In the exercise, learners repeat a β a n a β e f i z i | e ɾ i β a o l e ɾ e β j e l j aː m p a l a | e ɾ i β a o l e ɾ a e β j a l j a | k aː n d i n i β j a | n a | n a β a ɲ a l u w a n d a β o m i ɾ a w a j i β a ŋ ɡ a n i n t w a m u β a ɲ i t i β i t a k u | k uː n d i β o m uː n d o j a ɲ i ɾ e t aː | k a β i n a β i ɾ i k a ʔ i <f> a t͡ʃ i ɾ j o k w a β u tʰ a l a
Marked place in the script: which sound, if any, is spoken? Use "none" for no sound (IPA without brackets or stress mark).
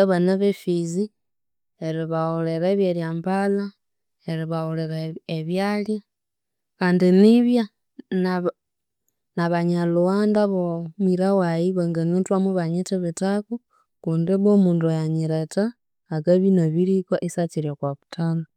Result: s